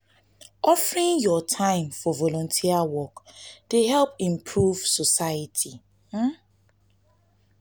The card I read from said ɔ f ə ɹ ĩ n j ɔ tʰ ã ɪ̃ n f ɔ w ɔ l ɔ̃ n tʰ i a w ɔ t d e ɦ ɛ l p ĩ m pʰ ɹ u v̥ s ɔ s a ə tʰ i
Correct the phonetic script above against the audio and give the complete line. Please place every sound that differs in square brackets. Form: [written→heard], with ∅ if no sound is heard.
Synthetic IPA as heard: ɔ f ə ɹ ĩ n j ɔ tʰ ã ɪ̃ [n→m] f ɔ [w→v] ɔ l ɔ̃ n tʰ i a w ɔ [t→k] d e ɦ ɛ l p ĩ m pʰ ɹ u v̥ s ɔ s a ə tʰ i